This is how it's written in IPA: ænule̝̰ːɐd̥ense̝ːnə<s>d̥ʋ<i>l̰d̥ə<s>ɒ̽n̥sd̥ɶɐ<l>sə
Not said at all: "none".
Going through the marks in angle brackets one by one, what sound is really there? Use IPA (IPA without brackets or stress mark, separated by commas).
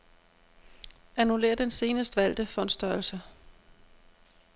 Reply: s, æ, f, l